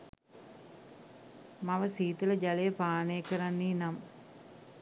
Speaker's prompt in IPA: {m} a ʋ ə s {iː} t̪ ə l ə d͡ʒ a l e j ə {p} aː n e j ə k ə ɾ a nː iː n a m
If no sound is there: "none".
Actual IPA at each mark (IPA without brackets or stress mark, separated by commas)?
m, iː, p